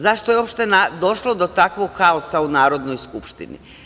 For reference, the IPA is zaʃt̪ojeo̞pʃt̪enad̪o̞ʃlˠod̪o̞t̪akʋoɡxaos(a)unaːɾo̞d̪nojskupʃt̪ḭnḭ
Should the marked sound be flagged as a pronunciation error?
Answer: no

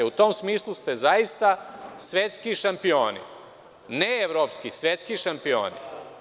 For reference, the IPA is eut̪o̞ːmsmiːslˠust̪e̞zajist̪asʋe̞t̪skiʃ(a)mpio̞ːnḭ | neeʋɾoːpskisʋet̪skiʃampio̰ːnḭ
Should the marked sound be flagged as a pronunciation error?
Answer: no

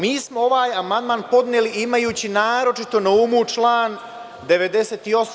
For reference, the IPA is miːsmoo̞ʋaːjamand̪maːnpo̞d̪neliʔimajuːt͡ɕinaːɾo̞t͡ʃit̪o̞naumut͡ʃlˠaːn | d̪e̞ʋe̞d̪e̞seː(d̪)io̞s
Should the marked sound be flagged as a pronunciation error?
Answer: yes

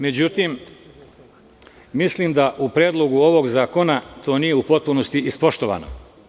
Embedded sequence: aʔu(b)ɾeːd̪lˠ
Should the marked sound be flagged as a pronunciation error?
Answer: yes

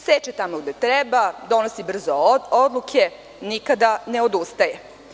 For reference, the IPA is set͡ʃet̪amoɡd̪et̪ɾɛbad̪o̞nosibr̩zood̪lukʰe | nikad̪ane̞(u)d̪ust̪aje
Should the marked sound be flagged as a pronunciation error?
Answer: yes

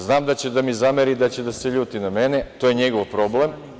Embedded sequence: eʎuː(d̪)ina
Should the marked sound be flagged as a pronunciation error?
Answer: yes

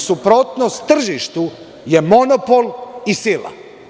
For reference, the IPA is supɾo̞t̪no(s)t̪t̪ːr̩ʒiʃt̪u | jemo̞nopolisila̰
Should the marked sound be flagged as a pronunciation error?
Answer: no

